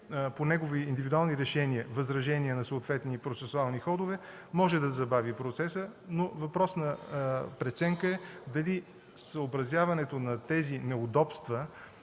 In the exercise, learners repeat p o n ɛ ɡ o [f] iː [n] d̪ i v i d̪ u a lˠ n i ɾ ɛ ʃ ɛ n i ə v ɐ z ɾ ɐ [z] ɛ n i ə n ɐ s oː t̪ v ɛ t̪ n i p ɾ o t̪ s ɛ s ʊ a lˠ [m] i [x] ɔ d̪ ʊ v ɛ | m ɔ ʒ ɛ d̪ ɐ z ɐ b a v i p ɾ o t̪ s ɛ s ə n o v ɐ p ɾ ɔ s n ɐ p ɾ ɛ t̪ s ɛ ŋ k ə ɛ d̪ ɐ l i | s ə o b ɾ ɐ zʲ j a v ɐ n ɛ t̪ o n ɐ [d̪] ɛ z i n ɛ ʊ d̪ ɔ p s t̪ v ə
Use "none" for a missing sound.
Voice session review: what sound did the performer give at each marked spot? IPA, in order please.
v, n, ʒ, n, x, t̪

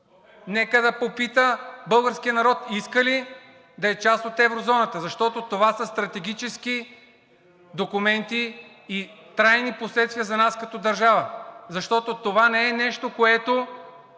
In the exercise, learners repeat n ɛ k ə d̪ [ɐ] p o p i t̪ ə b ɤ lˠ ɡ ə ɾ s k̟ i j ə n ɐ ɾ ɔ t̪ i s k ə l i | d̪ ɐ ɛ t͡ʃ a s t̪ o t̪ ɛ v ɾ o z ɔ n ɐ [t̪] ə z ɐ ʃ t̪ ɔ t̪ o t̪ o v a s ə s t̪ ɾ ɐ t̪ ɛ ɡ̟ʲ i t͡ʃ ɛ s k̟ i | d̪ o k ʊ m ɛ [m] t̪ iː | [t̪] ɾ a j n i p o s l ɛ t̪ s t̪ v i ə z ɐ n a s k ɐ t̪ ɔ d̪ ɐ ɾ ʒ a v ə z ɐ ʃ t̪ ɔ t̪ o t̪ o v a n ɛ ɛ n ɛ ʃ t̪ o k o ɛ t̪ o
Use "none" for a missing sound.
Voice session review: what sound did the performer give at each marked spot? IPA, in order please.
ɐ, t̪, n, t̪

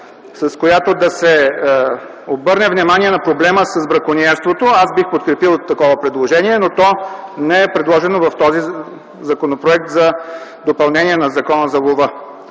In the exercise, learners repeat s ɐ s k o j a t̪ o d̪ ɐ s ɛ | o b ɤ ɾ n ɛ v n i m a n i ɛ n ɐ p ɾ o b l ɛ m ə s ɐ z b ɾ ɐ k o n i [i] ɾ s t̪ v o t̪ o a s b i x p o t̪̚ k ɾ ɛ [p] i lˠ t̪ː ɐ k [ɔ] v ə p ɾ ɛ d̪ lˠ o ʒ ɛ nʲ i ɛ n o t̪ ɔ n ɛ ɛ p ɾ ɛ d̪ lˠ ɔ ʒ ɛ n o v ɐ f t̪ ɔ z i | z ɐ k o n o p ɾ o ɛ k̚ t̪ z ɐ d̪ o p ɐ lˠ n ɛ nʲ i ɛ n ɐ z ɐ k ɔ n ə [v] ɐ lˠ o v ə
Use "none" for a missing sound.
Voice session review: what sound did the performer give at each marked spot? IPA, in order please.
ɛ, p, ɔ, z

